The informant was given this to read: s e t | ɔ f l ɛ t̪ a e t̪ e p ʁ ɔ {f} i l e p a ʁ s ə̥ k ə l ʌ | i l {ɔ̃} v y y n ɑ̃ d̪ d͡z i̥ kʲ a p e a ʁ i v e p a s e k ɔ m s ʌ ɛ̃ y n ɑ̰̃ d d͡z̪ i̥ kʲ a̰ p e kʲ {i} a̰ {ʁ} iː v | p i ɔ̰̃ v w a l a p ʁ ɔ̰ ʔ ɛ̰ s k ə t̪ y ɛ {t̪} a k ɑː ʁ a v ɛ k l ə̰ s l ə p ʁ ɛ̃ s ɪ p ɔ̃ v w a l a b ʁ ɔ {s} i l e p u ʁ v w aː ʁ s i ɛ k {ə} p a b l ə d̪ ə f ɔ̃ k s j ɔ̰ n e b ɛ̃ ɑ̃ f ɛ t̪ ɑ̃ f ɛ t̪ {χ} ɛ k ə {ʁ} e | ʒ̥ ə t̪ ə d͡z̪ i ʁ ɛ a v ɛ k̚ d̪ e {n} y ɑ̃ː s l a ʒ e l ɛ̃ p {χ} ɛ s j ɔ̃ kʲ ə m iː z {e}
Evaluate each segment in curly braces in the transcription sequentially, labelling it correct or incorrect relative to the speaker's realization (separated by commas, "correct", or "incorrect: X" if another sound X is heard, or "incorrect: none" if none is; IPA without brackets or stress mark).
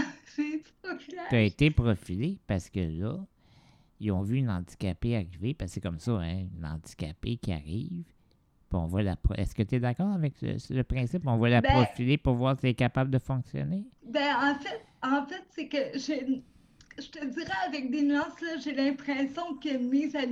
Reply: correct, correct, correct, correct, incorrect: d̪, incorrect: f, incorrect: a, incorrect: s, incorrect: ʒ, correct, correct, incorrect: a